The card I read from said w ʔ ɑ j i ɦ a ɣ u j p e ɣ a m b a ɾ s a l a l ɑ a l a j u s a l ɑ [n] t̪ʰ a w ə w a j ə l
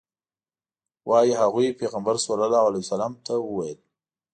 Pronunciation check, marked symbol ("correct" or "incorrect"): incorrect